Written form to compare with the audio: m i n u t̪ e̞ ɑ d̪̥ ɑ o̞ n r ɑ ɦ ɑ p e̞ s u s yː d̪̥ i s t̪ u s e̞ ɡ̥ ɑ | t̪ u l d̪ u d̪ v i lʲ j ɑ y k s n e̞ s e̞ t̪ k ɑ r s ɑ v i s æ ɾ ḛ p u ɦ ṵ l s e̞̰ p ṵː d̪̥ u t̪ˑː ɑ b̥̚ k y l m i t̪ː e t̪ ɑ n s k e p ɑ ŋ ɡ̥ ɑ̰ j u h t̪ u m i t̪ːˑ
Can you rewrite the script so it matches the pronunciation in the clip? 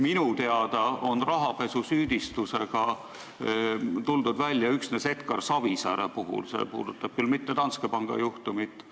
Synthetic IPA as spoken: m i n u t̪ e̞ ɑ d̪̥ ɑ o̞ n r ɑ ɦ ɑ p e̞ s u s yː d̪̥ i s t̪ u s e̞ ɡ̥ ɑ | t̪ u l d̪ u d̪ v æ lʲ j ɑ y k s n e̞ s e̞ t̪ k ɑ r s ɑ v i s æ ɾ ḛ p u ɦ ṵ l s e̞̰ p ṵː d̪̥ u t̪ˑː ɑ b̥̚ k y l m i t̪ː e t̪ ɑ n s k e p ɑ ŋ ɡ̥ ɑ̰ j u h t̪ u m i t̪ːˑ